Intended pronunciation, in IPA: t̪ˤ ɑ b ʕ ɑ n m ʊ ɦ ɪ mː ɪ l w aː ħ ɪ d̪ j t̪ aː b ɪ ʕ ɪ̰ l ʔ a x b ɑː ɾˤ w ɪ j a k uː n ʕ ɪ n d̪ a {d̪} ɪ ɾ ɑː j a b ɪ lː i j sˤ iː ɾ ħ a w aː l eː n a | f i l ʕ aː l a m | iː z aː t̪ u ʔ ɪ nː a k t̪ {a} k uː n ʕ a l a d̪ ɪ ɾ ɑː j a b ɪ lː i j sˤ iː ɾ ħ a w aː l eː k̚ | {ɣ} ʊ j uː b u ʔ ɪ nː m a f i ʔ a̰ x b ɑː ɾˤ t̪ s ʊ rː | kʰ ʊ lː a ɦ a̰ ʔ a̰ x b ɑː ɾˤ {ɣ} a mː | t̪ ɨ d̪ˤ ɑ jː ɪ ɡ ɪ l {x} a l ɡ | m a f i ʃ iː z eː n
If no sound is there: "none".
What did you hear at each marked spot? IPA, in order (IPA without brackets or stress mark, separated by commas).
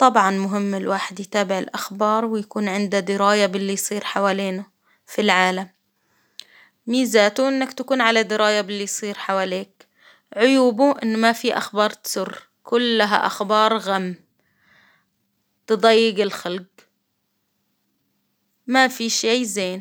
d̪, a, ʕ, ɣ, x